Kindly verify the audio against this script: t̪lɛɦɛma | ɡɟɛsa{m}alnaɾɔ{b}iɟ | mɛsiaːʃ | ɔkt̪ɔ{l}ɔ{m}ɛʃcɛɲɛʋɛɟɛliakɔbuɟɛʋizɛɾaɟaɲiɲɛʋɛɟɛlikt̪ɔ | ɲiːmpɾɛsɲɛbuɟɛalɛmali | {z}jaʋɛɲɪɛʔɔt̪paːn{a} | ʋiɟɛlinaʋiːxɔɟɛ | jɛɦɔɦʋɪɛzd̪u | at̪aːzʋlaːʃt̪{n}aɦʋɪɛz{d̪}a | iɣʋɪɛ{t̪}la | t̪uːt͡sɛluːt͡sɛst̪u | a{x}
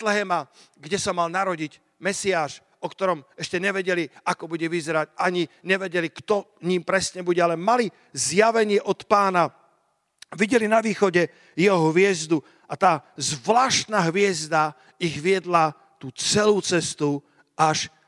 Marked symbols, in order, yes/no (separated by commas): yes, no, no, yes, yes, yes, yes, yes, no, no